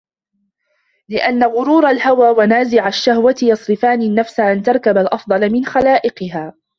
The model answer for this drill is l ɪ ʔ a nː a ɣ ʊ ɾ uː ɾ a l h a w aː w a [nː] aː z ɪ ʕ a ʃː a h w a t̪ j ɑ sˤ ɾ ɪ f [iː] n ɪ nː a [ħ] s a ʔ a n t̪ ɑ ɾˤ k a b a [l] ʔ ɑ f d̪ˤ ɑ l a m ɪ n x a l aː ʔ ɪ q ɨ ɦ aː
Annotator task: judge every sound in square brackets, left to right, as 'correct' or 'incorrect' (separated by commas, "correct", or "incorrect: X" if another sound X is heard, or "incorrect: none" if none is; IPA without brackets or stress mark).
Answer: incorrect: n, incorrect: aː, incorrect: f, correct